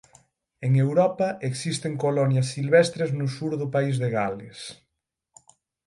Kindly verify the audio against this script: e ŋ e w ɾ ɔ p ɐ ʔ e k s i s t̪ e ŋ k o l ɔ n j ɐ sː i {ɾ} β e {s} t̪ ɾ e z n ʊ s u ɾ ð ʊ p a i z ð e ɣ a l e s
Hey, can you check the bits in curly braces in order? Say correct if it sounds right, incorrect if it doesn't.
incorrect, correct

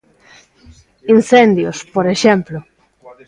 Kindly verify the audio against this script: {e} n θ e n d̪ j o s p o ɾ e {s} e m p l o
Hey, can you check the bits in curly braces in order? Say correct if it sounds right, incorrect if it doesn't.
incorrect, incorrect

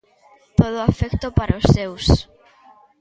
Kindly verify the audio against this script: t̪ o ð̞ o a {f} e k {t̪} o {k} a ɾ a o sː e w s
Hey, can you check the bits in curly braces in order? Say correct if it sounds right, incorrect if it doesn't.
correct, correct, incorrect

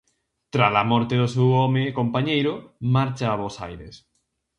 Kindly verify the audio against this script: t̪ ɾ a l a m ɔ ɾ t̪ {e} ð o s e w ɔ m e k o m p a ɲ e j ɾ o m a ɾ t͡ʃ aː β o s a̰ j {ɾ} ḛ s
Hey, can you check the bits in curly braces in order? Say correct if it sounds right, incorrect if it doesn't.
correct, correct

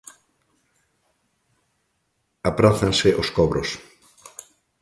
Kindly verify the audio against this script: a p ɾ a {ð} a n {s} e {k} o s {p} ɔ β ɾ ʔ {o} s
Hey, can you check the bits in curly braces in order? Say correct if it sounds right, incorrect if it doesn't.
incorrect, correct, incorrect, incorrect, correct

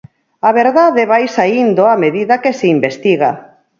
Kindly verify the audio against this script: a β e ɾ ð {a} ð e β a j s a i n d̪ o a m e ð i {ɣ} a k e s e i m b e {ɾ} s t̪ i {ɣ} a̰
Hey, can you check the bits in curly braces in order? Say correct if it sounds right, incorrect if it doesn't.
correct, incorrect, incorrect, correct

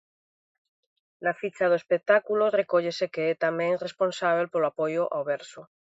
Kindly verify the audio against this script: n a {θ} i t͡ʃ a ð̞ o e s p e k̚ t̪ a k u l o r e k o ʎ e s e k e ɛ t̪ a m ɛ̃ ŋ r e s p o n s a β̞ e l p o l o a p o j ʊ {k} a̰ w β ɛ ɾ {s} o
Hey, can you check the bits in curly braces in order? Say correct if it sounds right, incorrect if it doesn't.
incorrect, incorrect, correct

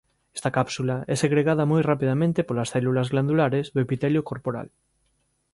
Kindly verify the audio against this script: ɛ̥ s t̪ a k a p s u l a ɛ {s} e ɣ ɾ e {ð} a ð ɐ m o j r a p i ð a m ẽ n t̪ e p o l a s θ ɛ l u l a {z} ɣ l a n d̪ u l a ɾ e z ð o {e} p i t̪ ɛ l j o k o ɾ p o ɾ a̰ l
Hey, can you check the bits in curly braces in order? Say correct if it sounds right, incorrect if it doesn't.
correct, incorrect, correct, correct

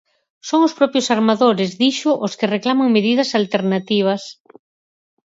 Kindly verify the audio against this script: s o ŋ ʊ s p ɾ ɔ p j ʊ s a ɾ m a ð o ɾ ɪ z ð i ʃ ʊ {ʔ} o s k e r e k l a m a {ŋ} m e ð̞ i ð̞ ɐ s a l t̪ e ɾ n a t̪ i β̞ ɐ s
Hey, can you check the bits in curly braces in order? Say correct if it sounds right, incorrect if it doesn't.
correct, correct

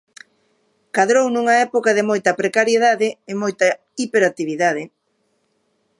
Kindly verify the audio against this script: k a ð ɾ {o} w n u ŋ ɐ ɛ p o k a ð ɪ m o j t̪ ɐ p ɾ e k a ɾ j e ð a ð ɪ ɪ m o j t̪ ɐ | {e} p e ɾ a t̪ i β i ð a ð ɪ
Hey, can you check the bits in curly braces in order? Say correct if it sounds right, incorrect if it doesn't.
correct, incorrect

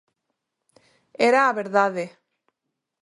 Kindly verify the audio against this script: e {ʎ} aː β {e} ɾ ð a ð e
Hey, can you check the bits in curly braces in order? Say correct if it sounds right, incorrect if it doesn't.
incorrect, correct

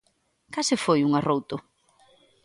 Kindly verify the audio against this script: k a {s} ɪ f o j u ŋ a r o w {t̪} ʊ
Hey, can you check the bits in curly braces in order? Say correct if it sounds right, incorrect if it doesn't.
correct, correct

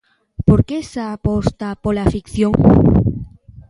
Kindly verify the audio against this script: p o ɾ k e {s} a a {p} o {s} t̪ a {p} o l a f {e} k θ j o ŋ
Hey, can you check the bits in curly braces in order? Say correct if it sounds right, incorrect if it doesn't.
correct, correct, correct, correct, incorrect

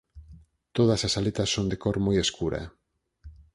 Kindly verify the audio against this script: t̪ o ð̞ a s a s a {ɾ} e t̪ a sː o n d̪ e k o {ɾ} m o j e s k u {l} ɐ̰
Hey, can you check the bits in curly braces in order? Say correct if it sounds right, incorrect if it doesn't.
incorrect, correct, incorrect

